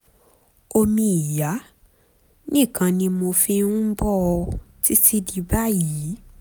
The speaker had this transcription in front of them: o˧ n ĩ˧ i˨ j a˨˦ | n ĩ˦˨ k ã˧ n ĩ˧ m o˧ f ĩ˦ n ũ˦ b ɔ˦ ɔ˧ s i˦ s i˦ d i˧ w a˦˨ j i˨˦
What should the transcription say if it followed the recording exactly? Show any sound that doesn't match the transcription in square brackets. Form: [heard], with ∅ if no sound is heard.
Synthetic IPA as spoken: o˧ [m] ĩ˧ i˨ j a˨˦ | n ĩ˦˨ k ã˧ n ĩ˧ m o˧ f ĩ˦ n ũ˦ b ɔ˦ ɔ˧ [t] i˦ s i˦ d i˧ [b] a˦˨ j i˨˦

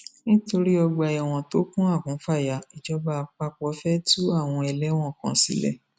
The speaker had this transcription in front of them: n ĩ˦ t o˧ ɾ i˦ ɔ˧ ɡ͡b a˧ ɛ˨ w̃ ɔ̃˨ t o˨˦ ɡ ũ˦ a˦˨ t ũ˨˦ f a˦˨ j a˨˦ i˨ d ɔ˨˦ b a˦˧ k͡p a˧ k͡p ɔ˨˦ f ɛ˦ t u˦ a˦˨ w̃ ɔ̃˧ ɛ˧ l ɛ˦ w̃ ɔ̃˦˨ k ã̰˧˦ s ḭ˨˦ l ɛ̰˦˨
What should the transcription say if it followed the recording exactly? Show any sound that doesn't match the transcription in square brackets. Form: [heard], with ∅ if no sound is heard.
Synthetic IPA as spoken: n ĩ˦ t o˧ ɾ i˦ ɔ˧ ɡ͡b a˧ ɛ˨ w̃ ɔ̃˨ t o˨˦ [k] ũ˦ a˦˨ [k] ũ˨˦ f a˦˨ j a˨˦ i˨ [d͡ʒ] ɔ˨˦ b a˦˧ k͡p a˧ k͡p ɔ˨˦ f ɛ˦ t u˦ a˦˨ w̃ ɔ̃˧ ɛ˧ l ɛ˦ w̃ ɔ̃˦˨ k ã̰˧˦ s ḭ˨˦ l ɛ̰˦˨

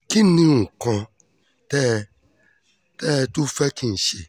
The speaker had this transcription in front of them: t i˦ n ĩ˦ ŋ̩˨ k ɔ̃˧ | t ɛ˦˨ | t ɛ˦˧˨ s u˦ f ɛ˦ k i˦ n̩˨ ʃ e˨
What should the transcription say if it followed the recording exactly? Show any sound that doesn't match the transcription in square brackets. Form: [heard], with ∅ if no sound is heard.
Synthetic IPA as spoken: [k] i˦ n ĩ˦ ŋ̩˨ k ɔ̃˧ | t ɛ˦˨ | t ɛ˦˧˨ [t] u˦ f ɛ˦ k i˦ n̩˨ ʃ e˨

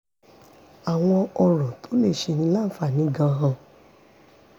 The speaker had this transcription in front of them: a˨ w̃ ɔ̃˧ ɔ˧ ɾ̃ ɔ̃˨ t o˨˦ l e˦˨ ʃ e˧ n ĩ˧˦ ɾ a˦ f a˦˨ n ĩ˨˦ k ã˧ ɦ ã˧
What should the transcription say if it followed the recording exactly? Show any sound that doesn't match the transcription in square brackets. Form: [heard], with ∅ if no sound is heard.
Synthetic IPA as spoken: a˨ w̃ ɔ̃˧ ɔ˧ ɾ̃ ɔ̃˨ t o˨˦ l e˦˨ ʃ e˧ n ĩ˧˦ [l] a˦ f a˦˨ n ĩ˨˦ [ɡ] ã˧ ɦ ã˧

